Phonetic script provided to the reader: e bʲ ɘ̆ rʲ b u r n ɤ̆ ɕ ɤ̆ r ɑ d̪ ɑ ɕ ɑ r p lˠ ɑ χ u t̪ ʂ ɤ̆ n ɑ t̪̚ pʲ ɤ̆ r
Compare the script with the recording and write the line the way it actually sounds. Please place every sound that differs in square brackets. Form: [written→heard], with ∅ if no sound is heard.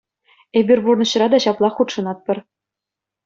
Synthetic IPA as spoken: e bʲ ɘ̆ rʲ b u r n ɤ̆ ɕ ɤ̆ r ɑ d̪ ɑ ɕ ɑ [r→∅] p lˠ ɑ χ u t̪ ʂ ɤ̆ n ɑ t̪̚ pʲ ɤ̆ r